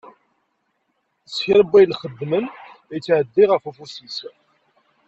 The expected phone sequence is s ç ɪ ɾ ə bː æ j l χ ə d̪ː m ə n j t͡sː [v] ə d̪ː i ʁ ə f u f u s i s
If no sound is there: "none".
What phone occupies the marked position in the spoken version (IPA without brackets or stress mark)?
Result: ʕ